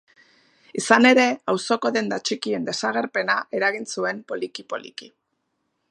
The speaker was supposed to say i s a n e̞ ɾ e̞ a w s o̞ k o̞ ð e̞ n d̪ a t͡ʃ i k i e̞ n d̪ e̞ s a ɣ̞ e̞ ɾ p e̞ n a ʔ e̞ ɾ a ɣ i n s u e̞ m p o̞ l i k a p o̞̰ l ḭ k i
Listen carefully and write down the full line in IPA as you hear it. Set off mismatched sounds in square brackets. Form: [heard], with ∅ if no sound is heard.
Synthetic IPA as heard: i s a n e̞ ɾ e̞ a w s o̞ k o̞ ð e̞ n d̪ a t͡ʃ i k i e̞ n d̪ e̞ s a ɣ̞ e̞ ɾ p e̞ n a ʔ e̞ ɾ a ɣ i n s u e̞ m p o̞ l i k [i] p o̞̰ l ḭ k i